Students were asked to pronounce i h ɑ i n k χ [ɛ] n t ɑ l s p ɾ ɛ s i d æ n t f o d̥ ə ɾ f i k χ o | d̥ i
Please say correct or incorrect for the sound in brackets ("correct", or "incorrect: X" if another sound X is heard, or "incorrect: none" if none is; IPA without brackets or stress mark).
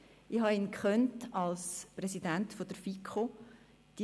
incorrect: œ